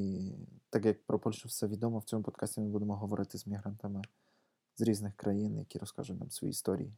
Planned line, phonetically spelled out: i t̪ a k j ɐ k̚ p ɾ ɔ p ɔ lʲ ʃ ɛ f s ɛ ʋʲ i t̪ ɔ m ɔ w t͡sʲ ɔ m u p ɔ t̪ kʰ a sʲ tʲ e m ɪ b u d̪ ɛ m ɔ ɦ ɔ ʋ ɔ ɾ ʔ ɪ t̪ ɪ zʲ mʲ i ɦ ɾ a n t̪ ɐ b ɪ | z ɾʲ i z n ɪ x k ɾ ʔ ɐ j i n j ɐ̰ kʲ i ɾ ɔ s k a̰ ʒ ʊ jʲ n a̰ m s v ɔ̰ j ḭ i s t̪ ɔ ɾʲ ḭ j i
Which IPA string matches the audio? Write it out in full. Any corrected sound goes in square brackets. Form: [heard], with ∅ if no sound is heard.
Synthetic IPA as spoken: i t̪ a k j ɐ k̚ p ɾ ɔ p ɔ lʲ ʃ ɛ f s ɛ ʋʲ i [d̪] ɔ m ɔ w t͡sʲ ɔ m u p ɔ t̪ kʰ a sʲ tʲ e m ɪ b u d̪ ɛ m ɔ ɦ ɔ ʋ ɔ ɾ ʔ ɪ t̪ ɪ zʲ mʲ i ɦ ɾ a n t̪ ɐ [m] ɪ | z ɾʲ i z n ɪ x k ɾ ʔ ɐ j i n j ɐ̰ kʲ i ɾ ɔ s k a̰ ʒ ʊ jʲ n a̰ m s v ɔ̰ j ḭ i s t̪ ɔ ɾʲ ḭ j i